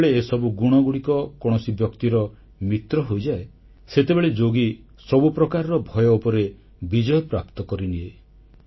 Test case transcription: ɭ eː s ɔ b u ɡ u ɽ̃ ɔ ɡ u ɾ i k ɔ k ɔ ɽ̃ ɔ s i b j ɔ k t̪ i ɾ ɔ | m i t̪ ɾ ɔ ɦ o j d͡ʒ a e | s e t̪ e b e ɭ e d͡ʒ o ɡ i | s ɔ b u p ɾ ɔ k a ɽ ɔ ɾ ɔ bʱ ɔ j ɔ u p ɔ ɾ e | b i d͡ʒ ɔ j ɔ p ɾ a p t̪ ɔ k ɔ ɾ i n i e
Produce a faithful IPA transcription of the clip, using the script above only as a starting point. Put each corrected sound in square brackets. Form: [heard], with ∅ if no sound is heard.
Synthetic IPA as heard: ɭ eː s ɔ b u ɡ u ɽ̃ ɔ ɡ u [ɽ] i k ɔ k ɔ ɽ̃ ɔ s i b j ɔ k t̪ i ɾ ɔ | m i t̪ ɾ ɔ ɦ o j d͡ʒ a e | s e t̪ e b e ɭ e d͡ʒ o ɡ i | s ɔ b u p ɾ ɔ k a [ɾ] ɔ ɾ ɔ bʱ ɔ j ɔ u p ɔ ɾ e | b i d͡ʒ ɔ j ɔ p ɾ a p t̪ ɔ k ɔ ɾ i n i e